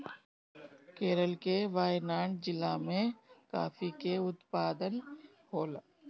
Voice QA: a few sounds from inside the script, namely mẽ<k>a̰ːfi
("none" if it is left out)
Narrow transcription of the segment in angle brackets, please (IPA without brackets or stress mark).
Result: k